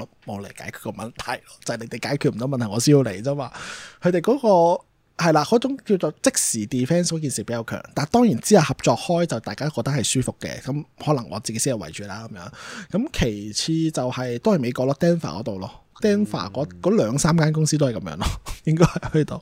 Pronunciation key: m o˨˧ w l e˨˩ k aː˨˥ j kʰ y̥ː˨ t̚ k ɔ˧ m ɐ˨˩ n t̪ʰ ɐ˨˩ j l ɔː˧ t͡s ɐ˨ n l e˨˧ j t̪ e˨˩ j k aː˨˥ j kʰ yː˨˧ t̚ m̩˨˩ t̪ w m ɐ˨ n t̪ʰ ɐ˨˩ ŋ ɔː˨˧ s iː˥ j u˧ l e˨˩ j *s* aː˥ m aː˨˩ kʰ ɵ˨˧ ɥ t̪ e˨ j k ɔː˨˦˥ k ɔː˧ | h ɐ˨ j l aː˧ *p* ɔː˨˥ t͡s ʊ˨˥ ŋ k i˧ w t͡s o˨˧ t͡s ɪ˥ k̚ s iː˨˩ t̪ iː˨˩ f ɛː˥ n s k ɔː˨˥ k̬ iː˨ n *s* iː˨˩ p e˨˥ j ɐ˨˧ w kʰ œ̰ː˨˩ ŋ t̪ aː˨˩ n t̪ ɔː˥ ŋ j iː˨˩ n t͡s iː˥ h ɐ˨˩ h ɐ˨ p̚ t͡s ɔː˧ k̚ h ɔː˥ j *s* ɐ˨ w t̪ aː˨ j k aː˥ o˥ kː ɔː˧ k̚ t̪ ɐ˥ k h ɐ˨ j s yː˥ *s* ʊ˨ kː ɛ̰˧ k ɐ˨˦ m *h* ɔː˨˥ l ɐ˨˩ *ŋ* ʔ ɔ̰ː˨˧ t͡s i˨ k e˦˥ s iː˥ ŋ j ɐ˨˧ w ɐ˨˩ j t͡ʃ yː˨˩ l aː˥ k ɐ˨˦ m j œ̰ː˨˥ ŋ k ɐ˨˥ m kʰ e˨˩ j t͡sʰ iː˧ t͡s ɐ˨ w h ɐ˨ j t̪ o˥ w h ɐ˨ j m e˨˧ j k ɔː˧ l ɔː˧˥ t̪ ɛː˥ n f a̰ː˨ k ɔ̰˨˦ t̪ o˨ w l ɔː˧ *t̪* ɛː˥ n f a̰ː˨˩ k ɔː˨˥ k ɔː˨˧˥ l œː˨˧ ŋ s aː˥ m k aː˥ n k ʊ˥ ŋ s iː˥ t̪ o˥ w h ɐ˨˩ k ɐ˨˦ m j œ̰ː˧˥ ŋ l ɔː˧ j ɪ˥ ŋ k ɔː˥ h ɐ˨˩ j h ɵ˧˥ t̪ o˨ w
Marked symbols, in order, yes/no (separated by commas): no, no, yes, no, no, yes, yes, yes